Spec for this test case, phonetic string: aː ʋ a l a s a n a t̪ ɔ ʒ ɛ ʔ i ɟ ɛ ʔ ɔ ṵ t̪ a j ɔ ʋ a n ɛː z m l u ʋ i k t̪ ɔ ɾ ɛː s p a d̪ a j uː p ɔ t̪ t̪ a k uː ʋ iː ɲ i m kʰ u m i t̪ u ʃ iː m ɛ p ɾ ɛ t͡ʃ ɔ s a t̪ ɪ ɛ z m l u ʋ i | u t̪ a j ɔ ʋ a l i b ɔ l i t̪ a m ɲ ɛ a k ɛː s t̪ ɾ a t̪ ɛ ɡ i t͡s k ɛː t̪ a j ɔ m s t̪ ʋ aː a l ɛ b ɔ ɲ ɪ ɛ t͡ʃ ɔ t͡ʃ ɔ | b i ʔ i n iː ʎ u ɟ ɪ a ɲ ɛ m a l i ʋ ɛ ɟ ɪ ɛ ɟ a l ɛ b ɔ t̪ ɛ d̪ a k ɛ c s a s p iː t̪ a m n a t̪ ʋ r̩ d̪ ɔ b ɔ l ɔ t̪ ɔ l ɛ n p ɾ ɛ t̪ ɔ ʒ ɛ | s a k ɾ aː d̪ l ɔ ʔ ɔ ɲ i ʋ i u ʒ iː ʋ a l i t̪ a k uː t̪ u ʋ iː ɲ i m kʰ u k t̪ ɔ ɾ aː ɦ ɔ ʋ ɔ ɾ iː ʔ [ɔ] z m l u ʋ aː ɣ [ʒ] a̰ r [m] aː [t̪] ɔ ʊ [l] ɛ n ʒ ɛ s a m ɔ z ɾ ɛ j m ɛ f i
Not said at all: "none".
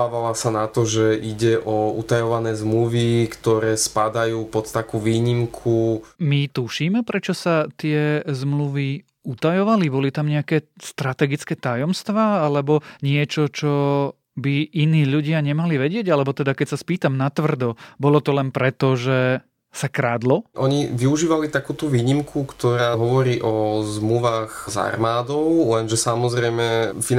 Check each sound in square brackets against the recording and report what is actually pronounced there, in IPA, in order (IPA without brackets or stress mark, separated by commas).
ɔ, z, m, d̪, l